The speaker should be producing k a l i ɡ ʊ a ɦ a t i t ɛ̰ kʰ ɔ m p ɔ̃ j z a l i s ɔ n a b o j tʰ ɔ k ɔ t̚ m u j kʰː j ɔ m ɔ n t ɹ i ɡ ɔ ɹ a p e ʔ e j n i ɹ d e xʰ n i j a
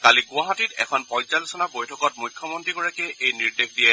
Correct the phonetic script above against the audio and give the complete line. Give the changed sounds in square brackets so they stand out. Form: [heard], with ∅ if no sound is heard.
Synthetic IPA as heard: k a l i ɡ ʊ a ɦ a t i t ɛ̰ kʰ ɔ [n] p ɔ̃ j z a l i s ɔ n a b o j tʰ ɔ k ɔ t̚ m u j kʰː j ɔ m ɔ n t ɹ i ɡ ɔ ɹ a [k] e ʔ e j n i ɹ d e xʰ [d] i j [ɛ]